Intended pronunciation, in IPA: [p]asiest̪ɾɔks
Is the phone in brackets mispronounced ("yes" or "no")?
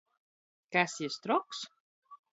yes